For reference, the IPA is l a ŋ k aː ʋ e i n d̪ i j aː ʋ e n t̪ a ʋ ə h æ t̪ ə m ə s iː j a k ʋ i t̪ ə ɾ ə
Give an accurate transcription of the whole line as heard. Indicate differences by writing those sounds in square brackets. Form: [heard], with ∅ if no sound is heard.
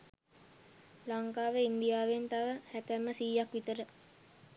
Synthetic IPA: l a ŋ k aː ʋ e i n d̪ i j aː ʋ e n t̪ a ʋ ə h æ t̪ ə m ə s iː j a k ʋ i t̪ ə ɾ ə